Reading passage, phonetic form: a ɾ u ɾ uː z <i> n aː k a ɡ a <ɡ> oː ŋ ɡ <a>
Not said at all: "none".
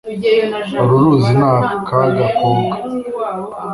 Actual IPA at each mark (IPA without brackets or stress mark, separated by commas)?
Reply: i, k, a